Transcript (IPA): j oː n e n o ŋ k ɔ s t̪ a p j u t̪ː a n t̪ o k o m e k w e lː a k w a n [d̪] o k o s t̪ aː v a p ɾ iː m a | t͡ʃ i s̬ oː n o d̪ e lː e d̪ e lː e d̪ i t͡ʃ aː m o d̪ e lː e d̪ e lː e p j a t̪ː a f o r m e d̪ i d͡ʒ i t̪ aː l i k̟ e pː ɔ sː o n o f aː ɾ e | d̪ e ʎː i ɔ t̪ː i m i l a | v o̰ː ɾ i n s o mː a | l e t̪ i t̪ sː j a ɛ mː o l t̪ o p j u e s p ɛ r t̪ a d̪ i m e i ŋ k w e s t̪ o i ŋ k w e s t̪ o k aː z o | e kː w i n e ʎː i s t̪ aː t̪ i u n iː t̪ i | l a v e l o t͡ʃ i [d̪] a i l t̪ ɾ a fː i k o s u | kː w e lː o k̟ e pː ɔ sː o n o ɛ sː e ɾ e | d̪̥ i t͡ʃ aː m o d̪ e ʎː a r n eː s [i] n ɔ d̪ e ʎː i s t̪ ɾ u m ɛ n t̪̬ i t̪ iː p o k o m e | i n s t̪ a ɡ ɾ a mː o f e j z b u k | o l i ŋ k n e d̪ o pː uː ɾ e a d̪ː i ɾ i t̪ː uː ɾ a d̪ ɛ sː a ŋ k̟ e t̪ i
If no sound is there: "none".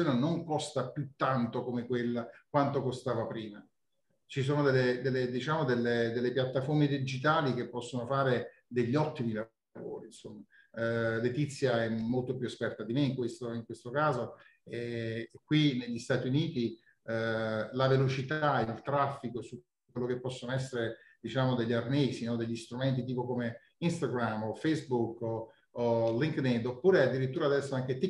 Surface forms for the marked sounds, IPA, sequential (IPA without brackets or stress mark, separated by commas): t̪, t̪, i